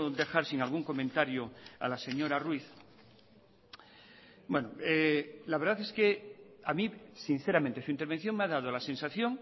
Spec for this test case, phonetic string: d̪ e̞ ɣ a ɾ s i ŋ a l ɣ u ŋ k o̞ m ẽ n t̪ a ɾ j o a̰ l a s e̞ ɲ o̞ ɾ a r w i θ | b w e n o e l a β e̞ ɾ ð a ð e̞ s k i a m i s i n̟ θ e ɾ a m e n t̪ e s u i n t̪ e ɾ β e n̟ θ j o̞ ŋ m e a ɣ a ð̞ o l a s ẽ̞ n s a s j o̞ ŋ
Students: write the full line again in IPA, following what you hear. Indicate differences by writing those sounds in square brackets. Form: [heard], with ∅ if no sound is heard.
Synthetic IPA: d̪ e̞ [x] a ɾ s i ŋ a l ɣ u ŋ k o̞ m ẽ n t̪ a ɾ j o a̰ l a s e̞ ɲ o̞ ɾ a r w i θ | b w e n o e l a β e̞ ɾ ð a [θ] e̞ s k [e] a m i s i n̟ θ e ɾ a m e n t̪ e s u i n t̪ e ɾ β e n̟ θ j o̞ ŋ m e a [ð] a ð̞ o l a s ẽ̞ n s a [θ] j o̞ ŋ